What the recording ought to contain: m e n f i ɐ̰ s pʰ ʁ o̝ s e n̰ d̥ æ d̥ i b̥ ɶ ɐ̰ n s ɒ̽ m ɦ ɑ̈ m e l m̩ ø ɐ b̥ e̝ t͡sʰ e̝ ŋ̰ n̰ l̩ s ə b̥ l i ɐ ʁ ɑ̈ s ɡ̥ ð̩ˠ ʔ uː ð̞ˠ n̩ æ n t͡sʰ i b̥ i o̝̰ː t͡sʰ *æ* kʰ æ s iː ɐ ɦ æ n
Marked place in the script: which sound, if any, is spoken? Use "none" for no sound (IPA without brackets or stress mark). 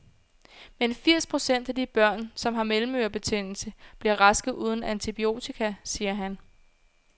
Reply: i